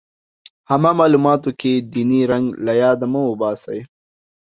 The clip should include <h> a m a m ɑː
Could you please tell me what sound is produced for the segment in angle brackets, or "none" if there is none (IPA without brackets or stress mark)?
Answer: h